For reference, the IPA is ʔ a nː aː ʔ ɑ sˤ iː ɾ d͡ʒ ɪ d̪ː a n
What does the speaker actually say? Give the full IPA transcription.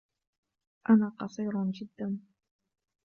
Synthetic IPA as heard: ʔ a n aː q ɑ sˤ iː ɾ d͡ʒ ɪ d̪ː a n